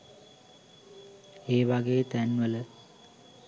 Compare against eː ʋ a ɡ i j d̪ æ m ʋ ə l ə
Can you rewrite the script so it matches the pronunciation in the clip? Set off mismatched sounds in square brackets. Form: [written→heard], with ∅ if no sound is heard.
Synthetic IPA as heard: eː ʋ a ɡ [i→e] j [d̪→t̪] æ [m→n] ʋ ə l ə

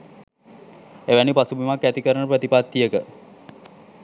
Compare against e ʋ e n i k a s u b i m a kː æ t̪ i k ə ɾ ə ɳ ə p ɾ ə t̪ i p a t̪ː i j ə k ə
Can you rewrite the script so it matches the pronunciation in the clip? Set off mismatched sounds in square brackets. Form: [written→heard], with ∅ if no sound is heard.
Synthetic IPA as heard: e ʋ [e→æ] n i [k→p] a s u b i m a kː æ t̪ i k ə ɾ ə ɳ ə p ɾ ə t̪ i p a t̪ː i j ə k ə

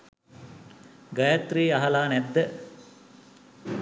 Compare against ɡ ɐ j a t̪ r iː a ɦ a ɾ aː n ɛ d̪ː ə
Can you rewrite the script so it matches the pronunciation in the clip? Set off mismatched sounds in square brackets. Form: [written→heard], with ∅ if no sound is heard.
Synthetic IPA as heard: ɡ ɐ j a t̪ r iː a ɦ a [ɾ→l] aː n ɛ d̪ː ə

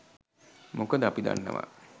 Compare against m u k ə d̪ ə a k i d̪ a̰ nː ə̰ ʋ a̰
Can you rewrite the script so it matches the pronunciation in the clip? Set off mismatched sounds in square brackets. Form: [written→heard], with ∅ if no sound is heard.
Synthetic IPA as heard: m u k ə d̪ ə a [k→p] i d̪ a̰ nː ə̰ ʋ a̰

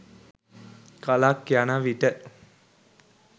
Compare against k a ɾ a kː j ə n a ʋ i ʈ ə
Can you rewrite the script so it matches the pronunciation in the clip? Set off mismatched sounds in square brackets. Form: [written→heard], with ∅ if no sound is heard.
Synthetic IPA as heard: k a [ɾ→l] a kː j [ə→a] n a ʋ i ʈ ə

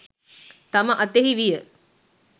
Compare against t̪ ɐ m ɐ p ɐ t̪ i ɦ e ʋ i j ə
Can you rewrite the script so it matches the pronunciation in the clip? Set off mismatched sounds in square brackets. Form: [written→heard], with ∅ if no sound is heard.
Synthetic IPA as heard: t̪ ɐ m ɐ [p→ʔ] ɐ t̪ [i→e] ɦ [e→i] ʋ i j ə

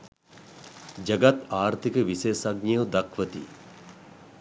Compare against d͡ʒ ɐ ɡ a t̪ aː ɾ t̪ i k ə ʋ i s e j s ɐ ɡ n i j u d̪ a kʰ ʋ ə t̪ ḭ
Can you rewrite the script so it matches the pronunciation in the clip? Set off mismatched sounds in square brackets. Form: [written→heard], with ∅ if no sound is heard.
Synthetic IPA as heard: d͡ʒ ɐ ɡ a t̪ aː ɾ t̪ i k ə ʋ i s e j s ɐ ɡ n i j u d̪ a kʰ ʋ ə t̪ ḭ

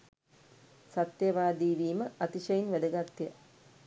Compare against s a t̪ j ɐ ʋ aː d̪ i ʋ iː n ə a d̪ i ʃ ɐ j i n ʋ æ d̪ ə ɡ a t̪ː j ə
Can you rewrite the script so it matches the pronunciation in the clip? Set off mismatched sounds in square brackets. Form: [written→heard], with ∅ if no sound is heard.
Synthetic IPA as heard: s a t̪ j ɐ ʋ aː d̪ [i→iː] ʋ iː [n→m] ə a [d̪→t̪] i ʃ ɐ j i n ʋ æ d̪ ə ɡ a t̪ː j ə

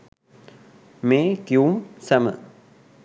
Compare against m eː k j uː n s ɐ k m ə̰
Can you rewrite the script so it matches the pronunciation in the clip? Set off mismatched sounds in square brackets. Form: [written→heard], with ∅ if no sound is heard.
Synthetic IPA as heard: m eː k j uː [n→m] s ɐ [k→∅] m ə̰

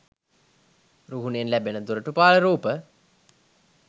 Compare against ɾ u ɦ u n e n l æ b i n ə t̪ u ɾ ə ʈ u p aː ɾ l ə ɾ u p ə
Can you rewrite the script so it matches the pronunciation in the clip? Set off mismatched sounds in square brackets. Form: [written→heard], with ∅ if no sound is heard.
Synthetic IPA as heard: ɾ u ɦ u n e n l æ b [i→e] n ə [t̪→d̪] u ɾ ə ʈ u p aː [ɾ→∅] l ə ɾ [u→uː] p ə

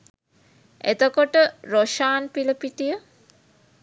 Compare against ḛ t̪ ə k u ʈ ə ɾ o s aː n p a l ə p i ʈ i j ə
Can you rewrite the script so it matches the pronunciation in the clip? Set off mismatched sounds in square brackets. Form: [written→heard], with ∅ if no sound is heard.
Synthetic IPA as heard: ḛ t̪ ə k [u→o] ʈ ə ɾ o [s→ʃ] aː n p [a→i] l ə p i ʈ i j ə

